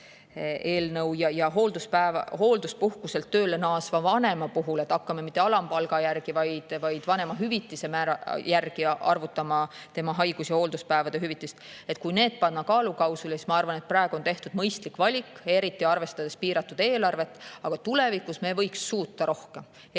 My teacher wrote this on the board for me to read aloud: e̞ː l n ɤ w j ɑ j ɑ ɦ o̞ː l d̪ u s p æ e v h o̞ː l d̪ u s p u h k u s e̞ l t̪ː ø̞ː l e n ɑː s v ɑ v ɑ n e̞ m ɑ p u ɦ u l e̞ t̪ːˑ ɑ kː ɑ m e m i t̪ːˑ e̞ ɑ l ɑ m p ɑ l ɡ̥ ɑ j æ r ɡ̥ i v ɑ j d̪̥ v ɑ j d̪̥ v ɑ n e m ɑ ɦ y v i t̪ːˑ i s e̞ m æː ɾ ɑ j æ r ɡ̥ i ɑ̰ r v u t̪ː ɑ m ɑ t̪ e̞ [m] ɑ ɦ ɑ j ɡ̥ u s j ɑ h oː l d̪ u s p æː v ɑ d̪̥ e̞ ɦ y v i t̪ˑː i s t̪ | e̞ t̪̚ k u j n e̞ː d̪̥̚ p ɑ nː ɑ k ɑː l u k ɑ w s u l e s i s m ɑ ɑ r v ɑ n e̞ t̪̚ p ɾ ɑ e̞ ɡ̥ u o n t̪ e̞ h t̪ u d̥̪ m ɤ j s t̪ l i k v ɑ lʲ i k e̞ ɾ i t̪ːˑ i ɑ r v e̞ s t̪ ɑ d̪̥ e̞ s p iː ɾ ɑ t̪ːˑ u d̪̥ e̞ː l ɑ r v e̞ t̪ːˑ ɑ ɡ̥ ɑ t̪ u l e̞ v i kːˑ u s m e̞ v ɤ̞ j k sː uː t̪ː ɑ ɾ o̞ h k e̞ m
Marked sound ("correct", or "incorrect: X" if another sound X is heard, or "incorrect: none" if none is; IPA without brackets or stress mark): correct